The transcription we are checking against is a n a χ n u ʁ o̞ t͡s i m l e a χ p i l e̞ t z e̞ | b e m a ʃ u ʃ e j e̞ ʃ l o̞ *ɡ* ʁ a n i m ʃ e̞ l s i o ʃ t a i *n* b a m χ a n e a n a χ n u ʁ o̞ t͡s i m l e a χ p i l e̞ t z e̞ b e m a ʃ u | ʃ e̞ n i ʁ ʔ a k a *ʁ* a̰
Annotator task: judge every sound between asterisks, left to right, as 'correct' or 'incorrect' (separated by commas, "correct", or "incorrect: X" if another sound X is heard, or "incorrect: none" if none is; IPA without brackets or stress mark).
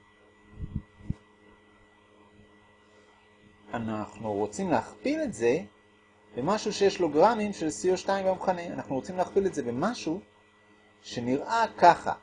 correct, incorrect: m, incorrect: χ